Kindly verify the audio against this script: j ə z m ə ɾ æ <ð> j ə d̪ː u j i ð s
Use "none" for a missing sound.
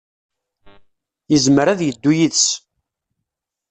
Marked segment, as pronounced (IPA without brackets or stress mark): ð